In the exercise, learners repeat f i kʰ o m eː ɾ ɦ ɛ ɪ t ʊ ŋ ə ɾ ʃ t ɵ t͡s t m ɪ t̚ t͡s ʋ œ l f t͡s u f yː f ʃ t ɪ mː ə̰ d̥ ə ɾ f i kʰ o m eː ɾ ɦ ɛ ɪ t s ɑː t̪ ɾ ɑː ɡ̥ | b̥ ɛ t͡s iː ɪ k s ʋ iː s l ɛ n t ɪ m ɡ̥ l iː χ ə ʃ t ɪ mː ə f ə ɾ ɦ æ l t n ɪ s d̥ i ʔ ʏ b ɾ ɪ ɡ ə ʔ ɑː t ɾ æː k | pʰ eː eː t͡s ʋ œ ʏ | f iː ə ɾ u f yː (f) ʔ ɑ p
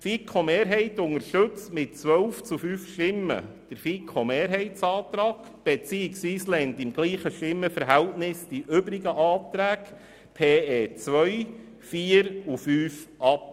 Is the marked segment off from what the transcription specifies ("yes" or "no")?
no